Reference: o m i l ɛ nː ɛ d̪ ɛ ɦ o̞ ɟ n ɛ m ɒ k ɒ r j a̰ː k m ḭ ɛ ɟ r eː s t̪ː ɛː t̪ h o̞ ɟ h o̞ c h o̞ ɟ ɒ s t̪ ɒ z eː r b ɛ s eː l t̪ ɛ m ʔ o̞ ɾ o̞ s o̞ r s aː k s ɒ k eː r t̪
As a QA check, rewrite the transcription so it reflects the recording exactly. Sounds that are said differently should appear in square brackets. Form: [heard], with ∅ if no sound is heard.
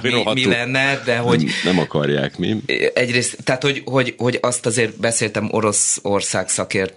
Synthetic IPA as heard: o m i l ɛ nː ɛ d̪ ɛ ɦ o̞ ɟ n ɛ m ɒ k ɒ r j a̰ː k m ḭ ɛ ɟ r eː s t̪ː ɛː t̪ h o̞ ɟ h o̞ [ɟ] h o̞ ɟ ɒ s t̪ ɒ z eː r b ɛ s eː l t̪ ɛ m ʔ o̞ ɾ o̞ s o̞ r s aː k s ɒ k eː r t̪